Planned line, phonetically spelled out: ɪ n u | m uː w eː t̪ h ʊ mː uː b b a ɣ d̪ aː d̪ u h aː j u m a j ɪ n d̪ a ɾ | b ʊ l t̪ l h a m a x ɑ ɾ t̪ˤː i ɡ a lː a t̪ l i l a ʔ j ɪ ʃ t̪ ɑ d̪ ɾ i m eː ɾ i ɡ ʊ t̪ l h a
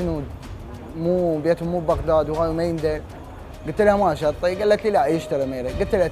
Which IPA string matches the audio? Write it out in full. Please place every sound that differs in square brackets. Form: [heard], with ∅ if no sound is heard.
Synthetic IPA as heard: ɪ n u | m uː [b] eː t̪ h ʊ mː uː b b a ɣ d̪ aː d̪ [w] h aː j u m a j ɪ n d̪ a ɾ | [ɡ] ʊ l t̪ l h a m a [ʃ] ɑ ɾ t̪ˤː i ɡ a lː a t̪ l i l a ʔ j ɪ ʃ t̪ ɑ [∅] ɾ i m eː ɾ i ɡ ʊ t̪ l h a